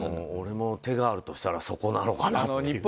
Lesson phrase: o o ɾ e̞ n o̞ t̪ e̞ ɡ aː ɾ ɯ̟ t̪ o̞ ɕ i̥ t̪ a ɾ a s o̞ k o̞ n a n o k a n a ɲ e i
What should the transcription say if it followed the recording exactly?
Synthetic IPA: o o ɾ e̞ m o̞ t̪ e̞ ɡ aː ɾ ɯ̟ t̪ o̞ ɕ i̥ t̪ a ɾ a s o̞ k o̞ n a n o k a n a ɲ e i